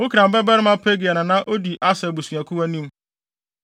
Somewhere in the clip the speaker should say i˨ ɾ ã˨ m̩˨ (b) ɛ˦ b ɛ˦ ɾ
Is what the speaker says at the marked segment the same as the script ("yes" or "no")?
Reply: yes